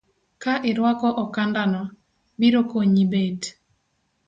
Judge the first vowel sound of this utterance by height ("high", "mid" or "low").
low